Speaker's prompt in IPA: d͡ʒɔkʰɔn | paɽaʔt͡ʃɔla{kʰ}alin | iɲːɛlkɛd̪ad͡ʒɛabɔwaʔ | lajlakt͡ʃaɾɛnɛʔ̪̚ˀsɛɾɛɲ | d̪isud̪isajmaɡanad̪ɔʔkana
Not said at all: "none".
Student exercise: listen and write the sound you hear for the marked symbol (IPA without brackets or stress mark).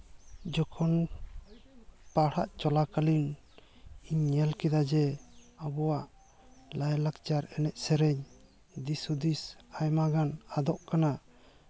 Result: k